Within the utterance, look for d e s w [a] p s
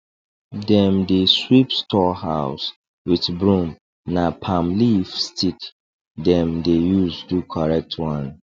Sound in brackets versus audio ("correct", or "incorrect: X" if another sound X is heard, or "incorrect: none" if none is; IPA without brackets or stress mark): incorrect: i